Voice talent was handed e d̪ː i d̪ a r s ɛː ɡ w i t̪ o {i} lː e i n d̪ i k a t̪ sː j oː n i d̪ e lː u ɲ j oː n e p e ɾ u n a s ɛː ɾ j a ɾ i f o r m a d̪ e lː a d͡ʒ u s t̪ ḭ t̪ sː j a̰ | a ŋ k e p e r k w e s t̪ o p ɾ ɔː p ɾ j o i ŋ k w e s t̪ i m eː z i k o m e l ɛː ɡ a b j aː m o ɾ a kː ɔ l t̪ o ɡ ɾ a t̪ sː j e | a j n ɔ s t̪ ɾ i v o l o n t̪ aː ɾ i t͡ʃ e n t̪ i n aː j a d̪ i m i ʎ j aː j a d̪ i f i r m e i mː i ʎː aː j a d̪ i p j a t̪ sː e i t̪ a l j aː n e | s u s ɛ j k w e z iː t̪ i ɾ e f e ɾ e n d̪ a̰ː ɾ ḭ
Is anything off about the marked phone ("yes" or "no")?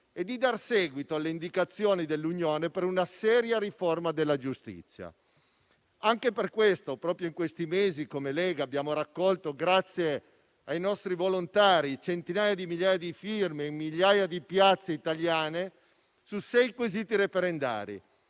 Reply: yes